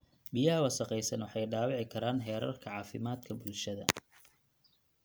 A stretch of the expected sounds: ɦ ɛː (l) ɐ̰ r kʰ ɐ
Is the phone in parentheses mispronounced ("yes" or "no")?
yes